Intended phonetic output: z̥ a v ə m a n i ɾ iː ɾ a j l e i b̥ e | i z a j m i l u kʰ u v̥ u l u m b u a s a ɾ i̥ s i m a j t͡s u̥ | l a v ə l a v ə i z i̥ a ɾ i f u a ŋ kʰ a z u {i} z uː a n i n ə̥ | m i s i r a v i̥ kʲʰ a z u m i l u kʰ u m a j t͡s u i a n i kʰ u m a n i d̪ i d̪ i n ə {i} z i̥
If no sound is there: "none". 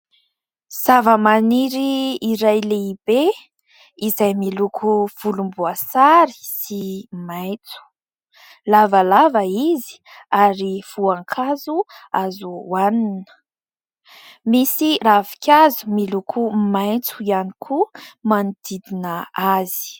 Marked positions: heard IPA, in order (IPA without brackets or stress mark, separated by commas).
a, a